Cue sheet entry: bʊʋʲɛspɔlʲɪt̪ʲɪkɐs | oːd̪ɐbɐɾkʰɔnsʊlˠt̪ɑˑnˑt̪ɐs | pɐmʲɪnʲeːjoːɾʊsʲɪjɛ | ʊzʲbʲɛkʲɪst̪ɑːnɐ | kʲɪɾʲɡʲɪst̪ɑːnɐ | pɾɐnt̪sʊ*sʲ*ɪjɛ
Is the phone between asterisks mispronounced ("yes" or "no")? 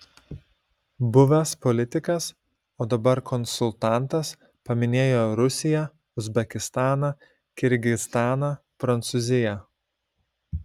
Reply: yes